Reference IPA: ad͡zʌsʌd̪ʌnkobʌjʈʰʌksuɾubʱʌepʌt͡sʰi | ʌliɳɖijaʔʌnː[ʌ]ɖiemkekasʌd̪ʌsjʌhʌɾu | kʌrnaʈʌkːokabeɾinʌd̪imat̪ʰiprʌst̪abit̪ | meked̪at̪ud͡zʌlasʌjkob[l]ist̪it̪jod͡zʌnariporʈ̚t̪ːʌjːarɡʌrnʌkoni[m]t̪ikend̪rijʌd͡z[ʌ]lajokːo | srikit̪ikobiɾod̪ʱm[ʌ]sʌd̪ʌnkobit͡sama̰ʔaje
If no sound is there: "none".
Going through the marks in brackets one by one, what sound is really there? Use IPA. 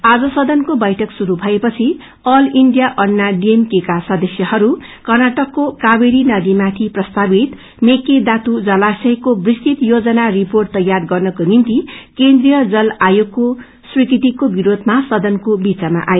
a, r, n, ʌ, a

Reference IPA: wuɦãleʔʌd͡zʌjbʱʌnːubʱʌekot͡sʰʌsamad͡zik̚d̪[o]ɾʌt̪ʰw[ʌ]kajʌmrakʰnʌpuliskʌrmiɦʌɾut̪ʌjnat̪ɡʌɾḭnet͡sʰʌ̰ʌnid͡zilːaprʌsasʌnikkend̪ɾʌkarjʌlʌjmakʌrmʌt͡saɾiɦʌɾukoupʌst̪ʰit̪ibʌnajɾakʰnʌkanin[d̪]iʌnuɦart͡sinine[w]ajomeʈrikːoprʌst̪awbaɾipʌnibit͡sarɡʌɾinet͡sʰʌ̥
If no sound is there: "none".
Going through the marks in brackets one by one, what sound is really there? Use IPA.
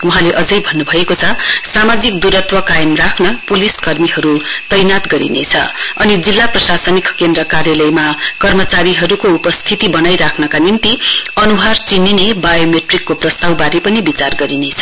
u, ʌ, t̪, b

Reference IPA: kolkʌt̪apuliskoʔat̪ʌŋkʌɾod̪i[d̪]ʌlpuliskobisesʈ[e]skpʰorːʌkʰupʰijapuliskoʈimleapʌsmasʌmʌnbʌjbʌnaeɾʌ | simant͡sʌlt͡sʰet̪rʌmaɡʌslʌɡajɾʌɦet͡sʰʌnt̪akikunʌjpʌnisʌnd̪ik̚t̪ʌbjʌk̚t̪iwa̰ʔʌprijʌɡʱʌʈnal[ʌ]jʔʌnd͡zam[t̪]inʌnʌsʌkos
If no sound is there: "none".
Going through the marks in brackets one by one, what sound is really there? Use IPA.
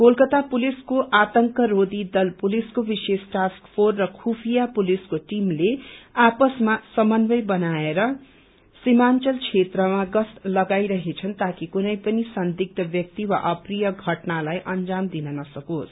d̪, a, a, d̪

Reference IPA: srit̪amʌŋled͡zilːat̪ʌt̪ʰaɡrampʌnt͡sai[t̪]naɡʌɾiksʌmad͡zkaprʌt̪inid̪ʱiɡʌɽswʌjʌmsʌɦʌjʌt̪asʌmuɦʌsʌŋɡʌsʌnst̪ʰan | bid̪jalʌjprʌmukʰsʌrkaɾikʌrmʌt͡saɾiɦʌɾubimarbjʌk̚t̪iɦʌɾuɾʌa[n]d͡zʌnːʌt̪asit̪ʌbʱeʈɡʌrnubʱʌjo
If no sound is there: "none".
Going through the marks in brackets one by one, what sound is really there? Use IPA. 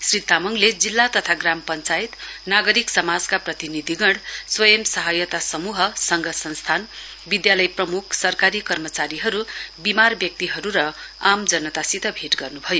t̪, m

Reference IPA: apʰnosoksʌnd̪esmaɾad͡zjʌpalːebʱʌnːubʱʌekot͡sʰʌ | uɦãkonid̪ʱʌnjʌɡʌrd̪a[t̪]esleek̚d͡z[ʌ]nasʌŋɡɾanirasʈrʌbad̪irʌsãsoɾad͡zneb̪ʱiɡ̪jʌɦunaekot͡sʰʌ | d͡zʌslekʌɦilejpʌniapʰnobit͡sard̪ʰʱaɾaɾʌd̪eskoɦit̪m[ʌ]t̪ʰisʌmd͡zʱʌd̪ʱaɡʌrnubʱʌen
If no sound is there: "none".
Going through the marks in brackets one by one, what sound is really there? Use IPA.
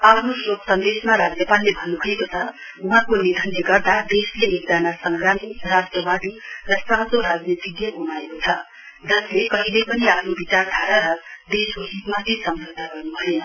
d̪, a, a

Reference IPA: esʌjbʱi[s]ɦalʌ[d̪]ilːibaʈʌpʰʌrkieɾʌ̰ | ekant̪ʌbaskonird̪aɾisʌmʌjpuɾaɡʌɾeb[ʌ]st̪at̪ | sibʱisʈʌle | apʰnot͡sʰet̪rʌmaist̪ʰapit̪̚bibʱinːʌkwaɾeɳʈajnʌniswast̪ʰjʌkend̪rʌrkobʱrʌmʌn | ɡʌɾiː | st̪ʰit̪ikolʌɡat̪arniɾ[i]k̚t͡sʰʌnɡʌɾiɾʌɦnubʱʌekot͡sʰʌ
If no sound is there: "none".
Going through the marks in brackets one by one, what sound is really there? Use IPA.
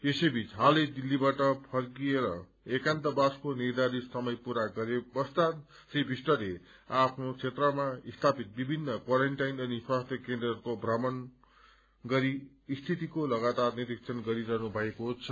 t͡s, d̪, ʌ, i

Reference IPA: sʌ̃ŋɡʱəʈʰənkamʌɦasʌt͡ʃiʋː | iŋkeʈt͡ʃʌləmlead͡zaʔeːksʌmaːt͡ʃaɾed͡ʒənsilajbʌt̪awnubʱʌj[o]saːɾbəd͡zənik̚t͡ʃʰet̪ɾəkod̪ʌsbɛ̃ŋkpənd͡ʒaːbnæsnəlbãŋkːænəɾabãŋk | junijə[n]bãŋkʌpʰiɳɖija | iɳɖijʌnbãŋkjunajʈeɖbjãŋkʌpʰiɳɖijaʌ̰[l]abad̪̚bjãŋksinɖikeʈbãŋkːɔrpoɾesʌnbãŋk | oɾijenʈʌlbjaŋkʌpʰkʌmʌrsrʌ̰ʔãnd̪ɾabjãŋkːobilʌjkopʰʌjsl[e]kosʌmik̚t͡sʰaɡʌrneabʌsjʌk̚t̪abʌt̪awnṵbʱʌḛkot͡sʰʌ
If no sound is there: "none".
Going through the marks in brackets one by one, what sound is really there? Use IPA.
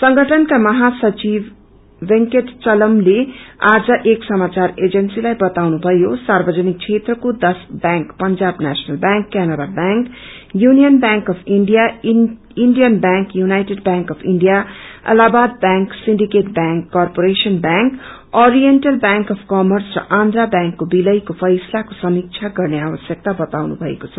o, n, l, a

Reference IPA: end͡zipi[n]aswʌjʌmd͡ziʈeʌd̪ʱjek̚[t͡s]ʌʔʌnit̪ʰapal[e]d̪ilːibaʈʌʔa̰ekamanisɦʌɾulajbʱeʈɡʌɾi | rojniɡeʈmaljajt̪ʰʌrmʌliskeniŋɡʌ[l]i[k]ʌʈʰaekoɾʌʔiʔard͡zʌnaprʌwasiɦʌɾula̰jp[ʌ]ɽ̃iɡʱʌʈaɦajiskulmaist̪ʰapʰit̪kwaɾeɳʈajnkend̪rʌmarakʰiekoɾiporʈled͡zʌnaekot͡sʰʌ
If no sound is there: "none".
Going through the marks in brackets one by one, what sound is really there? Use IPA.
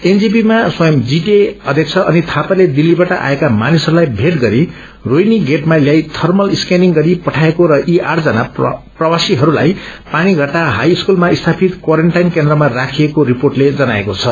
m, t͡sʰ, e, ɾ, p, a

